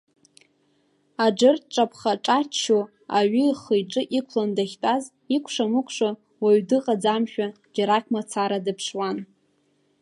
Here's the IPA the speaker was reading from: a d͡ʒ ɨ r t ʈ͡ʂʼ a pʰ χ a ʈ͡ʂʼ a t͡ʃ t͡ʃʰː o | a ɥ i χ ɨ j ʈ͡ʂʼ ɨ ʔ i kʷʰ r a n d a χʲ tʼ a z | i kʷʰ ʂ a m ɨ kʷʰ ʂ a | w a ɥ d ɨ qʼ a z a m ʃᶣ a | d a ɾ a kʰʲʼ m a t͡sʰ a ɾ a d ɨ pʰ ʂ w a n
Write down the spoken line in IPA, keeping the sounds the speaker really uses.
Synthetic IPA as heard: a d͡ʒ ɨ r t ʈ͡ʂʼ a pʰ χ a ʈ͡ʂʼ a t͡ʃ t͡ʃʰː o | a ɥ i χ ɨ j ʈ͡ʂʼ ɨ ʔ i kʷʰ l a n d a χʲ tʼ a z | i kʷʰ ʂ a m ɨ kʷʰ ʂ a | w a ɥ d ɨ qʼ a d͡z a m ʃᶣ a | d͡ʒ a ɾ a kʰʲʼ m a t͡sʰ a ɾ a d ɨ pʰ ʂ w a n